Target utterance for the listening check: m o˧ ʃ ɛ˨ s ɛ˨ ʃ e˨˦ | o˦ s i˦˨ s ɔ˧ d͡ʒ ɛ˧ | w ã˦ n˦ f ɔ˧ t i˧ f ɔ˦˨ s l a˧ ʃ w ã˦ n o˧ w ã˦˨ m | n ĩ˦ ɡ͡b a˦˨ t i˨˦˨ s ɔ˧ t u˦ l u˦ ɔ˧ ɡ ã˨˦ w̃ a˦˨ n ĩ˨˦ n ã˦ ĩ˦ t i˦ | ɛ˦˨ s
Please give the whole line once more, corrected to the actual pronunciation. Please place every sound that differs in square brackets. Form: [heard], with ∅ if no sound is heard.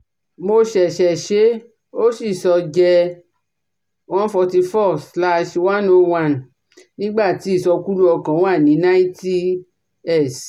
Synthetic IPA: m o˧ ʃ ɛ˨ [ʃ] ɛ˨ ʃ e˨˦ | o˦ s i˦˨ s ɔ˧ d͡ʒ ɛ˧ | w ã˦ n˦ f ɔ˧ t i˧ f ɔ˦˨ s l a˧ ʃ w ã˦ n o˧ w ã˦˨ [n] | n ĩ˦ ɡ͡b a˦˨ t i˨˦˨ s ɔ˧ [k] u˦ l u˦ ɔ˧ [k] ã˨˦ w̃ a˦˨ n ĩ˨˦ n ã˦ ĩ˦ t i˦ | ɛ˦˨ s